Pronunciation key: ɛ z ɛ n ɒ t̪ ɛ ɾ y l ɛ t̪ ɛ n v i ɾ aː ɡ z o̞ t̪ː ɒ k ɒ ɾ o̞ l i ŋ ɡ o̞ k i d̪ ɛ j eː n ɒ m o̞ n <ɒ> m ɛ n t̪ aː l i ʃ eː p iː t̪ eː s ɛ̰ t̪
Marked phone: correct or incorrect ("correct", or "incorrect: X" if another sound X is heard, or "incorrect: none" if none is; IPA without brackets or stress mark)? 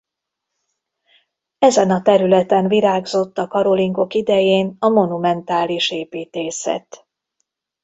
incorrect: u